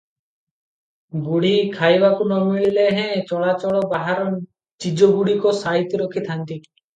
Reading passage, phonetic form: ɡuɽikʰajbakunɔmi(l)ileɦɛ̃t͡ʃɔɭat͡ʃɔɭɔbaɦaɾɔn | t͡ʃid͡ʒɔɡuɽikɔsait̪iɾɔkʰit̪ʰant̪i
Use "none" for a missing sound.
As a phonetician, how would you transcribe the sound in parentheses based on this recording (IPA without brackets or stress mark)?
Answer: ɭ